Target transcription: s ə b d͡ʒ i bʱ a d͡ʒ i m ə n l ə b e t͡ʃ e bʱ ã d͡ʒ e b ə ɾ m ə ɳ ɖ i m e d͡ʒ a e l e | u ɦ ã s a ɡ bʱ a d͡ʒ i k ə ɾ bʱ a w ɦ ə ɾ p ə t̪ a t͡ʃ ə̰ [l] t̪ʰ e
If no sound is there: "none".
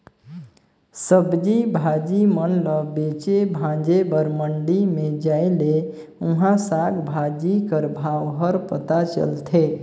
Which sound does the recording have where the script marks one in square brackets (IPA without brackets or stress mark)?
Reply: l